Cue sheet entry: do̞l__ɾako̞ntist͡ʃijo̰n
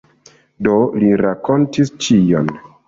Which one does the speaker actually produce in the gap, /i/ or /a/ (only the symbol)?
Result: i